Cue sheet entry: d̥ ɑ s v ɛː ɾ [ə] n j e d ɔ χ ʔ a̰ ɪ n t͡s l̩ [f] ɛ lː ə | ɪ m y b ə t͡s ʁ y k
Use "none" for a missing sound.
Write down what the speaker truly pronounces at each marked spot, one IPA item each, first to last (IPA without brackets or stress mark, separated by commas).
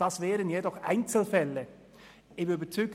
ə, f